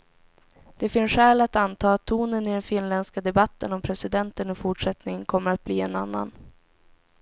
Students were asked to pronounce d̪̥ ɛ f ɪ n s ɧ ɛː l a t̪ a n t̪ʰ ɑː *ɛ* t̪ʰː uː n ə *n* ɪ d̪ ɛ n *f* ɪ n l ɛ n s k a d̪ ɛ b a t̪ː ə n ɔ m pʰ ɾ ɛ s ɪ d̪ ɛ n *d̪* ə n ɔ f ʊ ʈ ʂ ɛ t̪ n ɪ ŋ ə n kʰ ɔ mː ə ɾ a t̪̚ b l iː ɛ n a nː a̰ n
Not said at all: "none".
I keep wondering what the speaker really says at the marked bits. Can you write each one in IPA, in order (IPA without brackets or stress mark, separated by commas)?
a, n, f, t̪